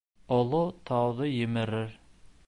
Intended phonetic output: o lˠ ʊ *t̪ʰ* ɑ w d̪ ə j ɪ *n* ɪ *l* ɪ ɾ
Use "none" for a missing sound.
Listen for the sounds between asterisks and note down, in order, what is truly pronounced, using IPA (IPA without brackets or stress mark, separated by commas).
t̪ʰ, m, ɾ